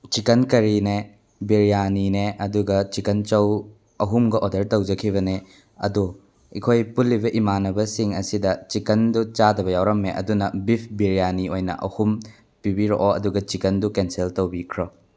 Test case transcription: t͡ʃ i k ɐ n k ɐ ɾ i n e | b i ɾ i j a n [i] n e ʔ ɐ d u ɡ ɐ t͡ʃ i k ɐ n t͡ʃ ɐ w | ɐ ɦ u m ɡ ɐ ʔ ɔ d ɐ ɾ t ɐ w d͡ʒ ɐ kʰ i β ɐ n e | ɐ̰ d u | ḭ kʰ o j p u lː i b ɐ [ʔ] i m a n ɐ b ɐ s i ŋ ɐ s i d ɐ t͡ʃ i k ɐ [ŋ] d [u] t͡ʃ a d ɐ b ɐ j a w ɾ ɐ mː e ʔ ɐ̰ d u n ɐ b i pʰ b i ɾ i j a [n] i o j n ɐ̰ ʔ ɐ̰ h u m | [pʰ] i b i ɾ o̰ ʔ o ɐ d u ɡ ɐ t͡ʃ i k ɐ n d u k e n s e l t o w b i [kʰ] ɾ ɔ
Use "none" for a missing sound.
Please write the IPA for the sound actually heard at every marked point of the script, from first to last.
i, ʔ, n, u, n, p, kʰ

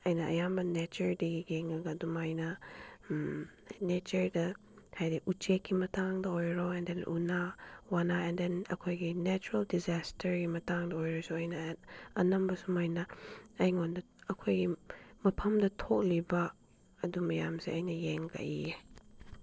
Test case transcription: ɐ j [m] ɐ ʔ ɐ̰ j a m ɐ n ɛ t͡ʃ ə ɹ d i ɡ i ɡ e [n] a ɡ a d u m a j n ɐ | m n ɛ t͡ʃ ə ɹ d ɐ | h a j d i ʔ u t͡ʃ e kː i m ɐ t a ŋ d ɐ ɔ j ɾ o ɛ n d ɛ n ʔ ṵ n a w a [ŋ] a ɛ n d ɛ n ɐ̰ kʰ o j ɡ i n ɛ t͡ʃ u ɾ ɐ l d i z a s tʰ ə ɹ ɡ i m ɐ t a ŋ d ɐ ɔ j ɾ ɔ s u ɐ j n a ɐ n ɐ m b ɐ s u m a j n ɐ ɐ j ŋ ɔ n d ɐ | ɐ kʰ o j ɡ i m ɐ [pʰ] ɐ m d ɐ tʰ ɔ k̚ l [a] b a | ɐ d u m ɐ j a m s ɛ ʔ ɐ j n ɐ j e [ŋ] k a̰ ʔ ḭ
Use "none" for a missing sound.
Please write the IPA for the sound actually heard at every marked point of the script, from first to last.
n, ŋ, n, pʰ, i, ŋ

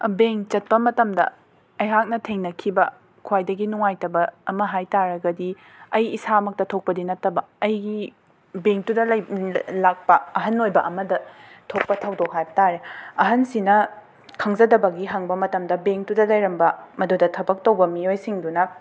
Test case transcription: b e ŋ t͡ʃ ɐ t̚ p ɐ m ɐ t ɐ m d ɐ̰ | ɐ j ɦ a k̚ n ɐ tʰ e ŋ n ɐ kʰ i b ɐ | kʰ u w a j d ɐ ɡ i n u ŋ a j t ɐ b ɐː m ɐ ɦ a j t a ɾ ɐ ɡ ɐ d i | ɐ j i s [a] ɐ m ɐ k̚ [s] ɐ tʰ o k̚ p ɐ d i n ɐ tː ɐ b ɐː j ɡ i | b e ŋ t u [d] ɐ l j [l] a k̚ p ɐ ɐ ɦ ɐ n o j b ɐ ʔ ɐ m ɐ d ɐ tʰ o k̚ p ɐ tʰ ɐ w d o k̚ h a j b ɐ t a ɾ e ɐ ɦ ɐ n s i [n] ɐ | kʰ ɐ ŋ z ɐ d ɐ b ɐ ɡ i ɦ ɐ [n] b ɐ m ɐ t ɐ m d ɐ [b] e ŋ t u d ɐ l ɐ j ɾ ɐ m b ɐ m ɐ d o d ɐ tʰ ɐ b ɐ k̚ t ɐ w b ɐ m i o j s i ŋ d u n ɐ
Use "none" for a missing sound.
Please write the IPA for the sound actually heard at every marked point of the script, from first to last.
a, t, d, l, n, ŋ, b

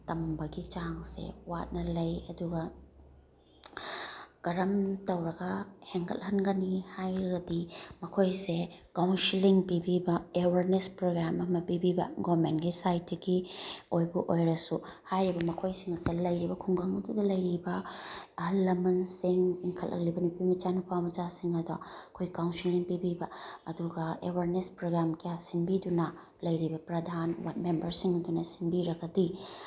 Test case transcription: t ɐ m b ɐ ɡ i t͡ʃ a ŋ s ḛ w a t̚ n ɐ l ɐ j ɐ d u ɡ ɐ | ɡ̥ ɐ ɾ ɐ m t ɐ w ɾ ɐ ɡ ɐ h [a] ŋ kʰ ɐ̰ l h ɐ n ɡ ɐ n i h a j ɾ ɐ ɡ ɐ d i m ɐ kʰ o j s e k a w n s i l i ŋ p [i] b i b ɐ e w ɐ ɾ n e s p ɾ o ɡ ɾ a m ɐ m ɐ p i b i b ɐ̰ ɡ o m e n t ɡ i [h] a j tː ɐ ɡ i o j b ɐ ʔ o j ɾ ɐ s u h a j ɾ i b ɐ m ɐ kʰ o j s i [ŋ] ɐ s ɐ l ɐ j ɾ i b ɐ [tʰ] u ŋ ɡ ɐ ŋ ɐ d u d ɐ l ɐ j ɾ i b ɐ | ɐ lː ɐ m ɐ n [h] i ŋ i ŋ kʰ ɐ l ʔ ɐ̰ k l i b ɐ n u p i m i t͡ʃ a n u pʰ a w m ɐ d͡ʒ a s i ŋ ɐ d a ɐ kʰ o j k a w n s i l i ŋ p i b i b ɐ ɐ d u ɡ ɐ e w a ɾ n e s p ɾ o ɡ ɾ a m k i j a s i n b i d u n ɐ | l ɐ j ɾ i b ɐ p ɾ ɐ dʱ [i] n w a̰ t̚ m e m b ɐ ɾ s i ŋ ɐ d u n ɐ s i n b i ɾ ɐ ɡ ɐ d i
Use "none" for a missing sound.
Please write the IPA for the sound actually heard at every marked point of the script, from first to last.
e, i, s, ŋ, kʰ, s, a

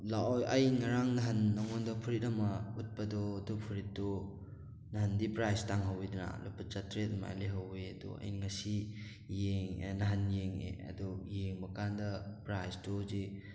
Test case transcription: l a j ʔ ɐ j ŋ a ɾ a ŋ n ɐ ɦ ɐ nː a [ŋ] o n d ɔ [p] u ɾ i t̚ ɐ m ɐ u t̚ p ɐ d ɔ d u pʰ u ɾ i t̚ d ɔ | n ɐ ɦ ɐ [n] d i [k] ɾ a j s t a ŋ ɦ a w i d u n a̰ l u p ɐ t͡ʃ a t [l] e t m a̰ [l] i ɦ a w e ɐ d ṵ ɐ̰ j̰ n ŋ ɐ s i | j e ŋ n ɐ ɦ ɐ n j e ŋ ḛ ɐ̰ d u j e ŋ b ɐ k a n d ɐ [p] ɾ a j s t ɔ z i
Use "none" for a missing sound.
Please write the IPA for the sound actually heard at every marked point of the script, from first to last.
ŋ, pʰ, n, p, ɾ, l, p

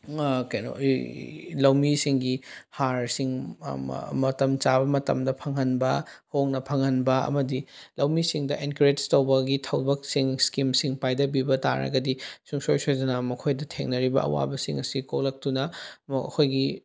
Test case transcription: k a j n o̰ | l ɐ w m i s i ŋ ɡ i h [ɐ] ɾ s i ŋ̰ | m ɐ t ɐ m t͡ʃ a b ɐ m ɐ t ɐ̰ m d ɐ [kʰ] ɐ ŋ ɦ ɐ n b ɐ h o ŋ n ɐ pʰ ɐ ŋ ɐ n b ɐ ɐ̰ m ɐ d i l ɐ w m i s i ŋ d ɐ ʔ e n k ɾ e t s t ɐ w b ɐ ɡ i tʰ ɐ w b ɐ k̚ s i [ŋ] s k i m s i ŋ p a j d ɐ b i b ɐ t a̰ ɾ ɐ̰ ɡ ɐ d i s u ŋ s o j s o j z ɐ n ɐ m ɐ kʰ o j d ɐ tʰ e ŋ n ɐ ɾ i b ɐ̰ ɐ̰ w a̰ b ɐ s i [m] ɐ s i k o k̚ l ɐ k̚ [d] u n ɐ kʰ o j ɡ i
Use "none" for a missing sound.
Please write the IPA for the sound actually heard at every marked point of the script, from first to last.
a, pʰ, ŋ, ŋ, t

